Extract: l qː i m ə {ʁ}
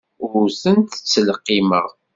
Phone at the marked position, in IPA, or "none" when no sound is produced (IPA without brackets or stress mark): ʁ